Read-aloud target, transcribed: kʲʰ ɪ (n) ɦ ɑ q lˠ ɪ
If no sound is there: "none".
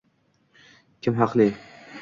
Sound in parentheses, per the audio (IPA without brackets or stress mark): m